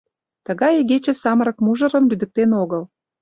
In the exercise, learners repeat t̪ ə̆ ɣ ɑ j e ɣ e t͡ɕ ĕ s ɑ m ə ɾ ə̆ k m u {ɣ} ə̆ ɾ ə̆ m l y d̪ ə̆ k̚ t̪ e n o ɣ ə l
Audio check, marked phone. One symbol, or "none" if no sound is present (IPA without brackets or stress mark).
ʒ